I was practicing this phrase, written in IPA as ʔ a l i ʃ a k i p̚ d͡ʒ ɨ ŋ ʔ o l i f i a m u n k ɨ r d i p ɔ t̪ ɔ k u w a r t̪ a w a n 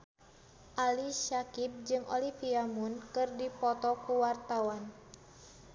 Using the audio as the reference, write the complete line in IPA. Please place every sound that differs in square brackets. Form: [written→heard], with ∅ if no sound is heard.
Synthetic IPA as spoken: ʔ a l i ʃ a k i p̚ d͡ʒ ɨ ŋ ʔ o l i f i a m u n k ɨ r d i p ɔ t̪ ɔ k u w a r t̪ a w a n